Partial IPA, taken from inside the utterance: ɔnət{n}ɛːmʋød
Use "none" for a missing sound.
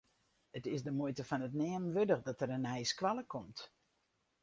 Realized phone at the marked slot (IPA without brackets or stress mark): n